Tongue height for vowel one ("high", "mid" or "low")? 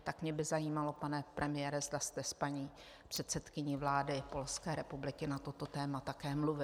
low